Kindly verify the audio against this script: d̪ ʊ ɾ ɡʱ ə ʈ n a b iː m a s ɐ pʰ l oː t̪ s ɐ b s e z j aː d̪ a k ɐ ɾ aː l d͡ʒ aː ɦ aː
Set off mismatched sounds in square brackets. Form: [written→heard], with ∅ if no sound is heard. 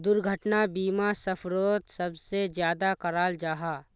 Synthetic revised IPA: d̪ ʊ ɾ ɡʱ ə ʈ n a b iː m a s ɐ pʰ [l→ɾ] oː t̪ s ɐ b s e z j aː d̪ a k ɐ ɾ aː l d͡ʒ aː ɦ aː